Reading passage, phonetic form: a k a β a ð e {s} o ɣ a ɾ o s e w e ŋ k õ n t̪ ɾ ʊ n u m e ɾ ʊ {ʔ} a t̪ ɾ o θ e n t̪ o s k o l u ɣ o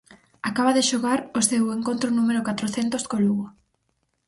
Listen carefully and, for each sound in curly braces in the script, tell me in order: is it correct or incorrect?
incorrect: ʃ, incorrect: k

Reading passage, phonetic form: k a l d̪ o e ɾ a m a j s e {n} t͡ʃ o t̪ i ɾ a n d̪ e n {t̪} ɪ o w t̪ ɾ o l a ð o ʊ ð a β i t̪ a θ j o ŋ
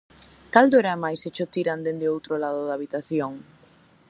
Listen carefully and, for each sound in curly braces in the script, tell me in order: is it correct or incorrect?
incorrect: none, incorrect: d̪

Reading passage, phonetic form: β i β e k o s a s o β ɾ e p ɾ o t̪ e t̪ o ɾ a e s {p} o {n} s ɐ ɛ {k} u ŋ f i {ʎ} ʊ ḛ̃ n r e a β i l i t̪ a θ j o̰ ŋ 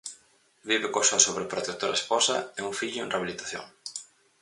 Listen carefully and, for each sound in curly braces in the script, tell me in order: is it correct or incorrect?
correct, incorrect: none, incorrect: none, correct

